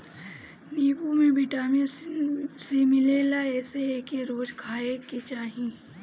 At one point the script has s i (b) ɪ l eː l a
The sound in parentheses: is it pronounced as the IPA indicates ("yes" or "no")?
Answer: no